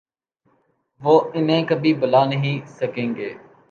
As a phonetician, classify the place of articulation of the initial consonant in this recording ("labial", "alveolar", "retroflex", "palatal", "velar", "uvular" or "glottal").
labial